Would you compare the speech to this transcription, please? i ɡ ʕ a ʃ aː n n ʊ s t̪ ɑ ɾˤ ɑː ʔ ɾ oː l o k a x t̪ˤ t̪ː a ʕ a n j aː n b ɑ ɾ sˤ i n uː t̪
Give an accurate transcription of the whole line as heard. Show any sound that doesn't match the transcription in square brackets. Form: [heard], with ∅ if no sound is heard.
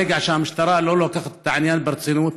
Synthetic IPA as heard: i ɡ ʕ a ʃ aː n [m] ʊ [ʃ] t̪ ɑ ɾˤ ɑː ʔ [l] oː l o k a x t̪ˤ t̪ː a ʕ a n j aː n b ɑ ɾ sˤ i n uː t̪